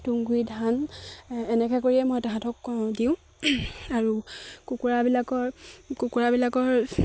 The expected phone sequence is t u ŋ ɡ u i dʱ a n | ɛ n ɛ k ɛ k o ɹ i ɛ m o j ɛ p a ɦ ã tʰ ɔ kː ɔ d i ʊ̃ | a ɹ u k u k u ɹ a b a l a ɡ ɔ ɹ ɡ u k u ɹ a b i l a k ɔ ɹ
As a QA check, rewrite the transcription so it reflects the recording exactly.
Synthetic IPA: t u ŋ ɡ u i dʱ a n | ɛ n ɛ k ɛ k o ɹ i ɛ m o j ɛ t a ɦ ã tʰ ɔ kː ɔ d i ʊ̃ | a ɹ u k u k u ɹ a b i l a k ɔ ɹ k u k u ɹ a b i l a k ɔ ɹ

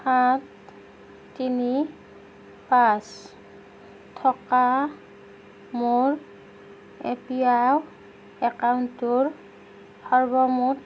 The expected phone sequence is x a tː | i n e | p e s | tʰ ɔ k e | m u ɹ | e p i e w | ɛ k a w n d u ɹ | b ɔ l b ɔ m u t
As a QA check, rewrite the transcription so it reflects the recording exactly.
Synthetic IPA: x a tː | i n i | p a s | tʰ ɔ k a | m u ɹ | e p i a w | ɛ k a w n t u ɹ | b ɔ ɹ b ɔ m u t

